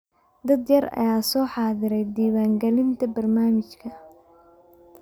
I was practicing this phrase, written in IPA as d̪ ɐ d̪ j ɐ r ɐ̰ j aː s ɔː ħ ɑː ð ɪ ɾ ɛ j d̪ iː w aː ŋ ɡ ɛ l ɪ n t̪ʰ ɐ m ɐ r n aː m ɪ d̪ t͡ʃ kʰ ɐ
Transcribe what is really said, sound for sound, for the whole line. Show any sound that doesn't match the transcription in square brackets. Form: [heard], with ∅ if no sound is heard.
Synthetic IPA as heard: d̪ ɐ d̪ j ɐ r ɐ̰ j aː s ɔː ħ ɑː ð ɪ ɾ ɛ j d̪ iː w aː ŋ ɡ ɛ l ɪ n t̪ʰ ɐ [b] ɐ r n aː m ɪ [∅] t͡ʃ kʰ ɐ